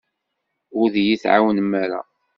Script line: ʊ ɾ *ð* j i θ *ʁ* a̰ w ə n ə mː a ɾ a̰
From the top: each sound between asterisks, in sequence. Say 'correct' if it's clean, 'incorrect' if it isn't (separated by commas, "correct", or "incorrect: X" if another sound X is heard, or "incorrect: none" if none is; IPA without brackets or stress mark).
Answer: correct, incorrect: ʕ